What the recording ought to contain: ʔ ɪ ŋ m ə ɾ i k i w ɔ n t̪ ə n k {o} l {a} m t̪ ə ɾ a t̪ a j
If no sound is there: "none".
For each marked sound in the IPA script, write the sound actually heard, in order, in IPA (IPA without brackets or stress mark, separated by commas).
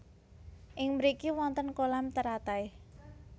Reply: o, a